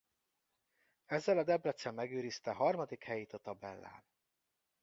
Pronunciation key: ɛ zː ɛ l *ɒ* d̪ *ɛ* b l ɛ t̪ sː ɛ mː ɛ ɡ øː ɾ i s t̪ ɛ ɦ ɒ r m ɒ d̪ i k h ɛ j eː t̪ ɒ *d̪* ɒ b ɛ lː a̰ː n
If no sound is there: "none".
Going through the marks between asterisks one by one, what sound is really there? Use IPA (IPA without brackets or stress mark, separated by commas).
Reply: ɒ, ɛ, t̪